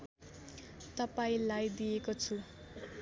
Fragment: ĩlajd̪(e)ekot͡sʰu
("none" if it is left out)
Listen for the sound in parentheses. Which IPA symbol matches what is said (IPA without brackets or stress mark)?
i